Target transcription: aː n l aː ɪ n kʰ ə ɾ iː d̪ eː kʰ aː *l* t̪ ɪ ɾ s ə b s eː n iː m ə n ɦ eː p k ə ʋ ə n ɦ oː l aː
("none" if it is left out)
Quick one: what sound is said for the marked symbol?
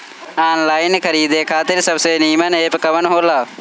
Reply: none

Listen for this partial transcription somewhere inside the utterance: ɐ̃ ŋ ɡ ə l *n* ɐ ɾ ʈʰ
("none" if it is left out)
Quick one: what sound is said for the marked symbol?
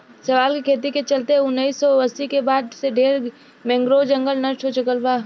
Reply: n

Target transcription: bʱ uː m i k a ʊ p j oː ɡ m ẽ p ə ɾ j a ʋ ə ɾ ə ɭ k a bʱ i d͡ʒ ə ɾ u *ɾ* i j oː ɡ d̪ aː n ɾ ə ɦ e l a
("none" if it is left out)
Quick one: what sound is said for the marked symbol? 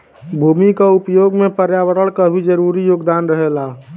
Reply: ɾ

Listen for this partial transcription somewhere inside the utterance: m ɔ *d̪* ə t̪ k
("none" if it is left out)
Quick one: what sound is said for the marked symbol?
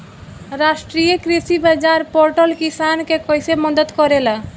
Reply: d̪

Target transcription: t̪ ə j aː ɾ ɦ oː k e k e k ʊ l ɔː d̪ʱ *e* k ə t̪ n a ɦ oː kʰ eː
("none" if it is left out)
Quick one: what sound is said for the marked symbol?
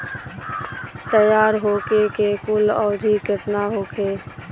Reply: i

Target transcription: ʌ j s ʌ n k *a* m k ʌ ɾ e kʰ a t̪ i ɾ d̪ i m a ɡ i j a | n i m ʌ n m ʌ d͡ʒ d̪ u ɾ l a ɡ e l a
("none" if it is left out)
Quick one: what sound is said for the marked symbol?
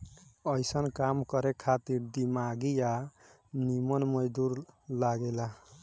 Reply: a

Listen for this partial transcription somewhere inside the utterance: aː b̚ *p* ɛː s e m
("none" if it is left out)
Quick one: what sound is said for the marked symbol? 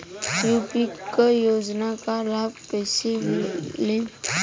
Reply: p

